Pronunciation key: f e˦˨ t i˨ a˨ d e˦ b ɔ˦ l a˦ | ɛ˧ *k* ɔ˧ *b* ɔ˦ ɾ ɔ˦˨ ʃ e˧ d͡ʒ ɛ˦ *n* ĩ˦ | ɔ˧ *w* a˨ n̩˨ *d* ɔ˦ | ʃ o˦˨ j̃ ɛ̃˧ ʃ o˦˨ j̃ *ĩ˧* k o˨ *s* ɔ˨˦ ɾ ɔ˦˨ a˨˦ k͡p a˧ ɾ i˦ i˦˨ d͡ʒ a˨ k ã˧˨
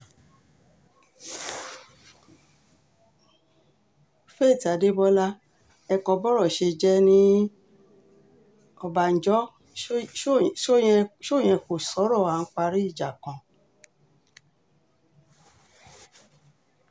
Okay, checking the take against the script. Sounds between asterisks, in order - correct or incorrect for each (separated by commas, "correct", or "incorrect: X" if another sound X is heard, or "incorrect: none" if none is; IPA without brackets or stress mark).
correct, correct, correct, incorrect: b, incorrect: d͡ʒ, incorrect: ɛ̃˧, correct